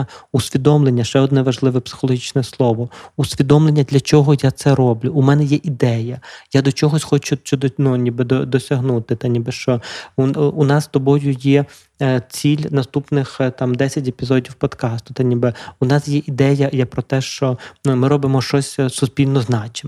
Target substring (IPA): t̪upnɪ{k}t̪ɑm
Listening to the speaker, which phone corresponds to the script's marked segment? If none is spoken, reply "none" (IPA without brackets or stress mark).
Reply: x